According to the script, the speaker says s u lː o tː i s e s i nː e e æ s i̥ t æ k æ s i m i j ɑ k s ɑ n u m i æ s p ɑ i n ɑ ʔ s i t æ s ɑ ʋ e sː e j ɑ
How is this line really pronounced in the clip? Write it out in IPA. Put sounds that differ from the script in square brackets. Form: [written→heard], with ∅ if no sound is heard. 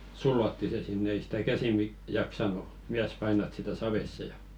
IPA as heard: s u lː o tː i s e s i nː e e [æ→i] s i̥ t æ k æ s i m i j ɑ k s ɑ n u m i æ s p ɑ i n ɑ [ʔ→t] s i t æ s ɑ ʋ e sː e j ɑ

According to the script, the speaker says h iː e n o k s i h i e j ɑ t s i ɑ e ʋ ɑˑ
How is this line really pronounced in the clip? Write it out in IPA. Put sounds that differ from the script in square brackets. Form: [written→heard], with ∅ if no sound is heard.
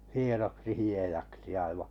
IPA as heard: h [iː→i] e n o k s i h i e j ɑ [t→k] s i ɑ [e→i] ʋ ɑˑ

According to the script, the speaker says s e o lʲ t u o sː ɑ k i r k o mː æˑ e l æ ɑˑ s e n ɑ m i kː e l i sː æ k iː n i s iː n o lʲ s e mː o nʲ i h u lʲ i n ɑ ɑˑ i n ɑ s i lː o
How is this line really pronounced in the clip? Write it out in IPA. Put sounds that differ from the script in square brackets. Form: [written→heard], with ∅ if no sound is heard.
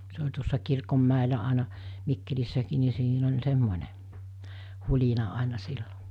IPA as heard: s e o lʲ t u o sː ɑ k i r k o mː æˑ e l æ ɑˑ [s→∅] e n ɑ m i kː e l i sː æ k iː n i s iː n o lʲ s e mː o nʲ [i→e] h u lʲ i n ɑ ɑˑ [i→e] n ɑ s i lː o

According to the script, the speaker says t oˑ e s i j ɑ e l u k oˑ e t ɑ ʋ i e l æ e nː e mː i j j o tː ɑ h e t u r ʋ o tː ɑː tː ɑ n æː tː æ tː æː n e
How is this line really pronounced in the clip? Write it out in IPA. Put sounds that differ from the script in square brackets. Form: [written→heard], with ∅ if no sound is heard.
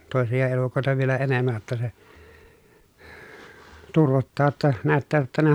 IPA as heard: t oˑ e s i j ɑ e l u k oˑ e t ɑ ʋ i e l æ e [nː→n] e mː [i→æ] j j o tː ɑ [h→s] e t u r ʋ o tː ɑː tː ɑ n æː tː [æ→æː] tː [æː→æ] n e

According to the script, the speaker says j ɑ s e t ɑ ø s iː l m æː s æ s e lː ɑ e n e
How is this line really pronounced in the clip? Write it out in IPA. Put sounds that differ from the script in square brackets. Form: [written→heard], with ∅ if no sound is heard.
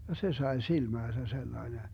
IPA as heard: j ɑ s e [t→s] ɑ [ø→e] s [iː→i] l m æː s æ s e lː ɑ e n e

